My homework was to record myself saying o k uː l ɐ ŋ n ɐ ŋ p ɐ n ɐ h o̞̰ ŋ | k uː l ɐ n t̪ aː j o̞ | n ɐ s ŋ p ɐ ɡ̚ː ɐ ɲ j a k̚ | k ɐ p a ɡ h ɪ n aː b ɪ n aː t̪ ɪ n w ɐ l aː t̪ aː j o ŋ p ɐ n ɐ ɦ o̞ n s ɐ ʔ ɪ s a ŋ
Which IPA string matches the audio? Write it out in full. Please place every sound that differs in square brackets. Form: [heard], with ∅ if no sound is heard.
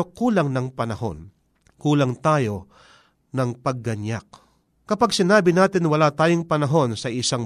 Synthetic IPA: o k uː l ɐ ŋ n ɐ ŋ p ɐ n ɐ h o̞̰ [n] | k uː l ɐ [ŋ] t̪ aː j o̞ | n ɐ [∅] ŋ p ɐ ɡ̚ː ɐ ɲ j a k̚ | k ɐ p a ɡ [s] ɪ n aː b ɪ n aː t̪ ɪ n w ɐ l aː t̪ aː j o ŋ p ɐ n ɐ ɦ o̞ n s ɐ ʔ ɪ s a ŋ